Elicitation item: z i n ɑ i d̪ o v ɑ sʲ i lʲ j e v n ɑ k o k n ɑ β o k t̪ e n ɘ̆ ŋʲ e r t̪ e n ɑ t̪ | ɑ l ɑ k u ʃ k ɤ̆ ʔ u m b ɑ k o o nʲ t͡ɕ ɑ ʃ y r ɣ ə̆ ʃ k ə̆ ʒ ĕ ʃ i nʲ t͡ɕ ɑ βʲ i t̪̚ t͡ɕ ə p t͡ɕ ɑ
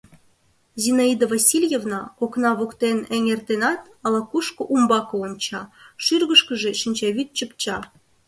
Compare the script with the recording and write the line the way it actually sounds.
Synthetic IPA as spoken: z i n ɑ i d̪ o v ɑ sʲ i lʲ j e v n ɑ k o k n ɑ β o k t̪ e n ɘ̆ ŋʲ e r t̪ e n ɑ t̪ | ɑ l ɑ k u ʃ k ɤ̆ ʔ u m b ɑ k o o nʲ t͡ɕ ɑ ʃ y r ɣ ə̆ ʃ k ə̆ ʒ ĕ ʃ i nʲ t͡ɕ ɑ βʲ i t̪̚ t͡ɕ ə p t͡ɕ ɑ